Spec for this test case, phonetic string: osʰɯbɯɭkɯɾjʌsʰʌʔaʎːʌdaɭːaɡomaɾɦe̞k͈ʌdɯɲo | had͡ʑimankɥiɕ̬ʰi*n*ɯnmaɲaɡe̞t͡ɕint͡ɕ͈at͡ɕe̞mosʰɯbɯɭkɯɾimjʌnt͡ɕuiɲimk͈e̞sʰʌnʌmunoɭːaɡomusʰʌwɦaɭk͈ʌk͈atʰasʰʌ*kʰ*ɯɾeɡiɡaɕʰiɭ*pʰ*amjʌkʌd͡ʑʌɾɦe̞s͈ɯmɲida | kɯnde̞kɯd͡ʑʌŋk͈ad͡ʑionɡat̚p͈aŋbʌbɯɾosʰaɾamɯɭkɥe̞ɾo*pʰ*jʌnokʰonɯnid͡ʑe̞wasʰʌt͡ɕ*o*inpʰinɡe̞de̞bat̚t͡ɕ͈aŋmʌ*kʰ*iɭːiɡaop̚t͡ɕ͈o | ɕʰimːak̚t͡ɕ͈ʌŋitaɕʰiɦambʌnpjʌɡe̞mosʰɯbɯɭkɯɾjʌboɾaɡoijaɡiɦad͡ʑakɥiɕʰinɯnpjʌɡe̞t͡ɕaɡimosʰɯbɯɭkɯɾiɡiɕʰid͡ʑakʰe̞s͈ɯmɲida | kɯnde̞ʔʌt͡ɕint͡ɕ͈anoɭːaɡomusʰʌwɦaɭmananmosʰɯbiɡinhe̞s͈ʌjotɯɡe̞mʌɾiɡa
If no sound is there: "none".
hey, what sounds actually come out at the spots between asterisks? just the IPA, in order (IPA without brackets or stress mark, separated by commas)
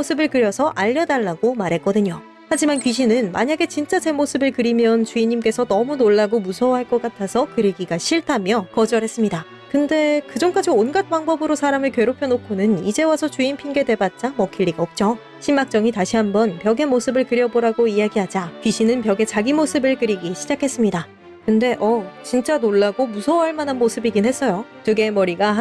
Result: n, k, tʰ, pʰ, u, kʰ